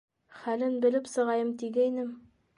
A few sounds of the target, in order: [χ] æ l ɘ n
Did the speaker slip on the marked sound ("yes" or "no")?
no